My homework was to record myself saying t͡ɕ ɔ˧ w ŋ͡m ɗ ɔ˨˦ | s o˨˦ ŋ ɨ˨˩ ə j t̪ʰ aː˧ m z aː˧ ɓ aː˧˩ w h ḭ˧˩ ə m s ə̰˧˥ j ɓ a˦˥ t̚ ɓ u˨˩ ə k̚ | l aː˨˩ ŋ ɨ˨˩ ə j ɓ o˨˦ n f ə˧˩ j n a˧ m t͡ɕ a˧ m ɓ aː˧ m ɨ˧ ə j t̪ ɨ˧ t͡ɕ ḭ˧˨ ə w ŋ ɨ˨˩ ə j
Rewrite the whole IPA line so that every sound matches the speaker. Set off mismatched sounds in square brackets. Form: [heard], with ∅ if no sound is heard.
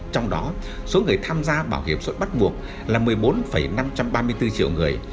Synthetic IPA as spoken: t͡ɕ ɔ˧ w ŋ͡m ɗ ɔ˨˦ | s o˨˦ ŋ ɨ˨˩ ə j t̪ʰ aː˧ m z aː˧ ɓ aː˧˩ w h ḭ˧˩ ə m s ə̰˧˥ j ɓ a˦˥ t̚ ɓ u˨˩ ə k̚ | l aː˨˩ [m] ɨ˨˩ ə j ɓ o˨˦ n f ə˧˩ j n a˧ m t͡ɕ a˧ m ɓ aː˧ m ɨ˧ ə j t̪ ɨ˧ t͡ɕ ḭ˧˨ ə w ŋ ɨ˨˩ ə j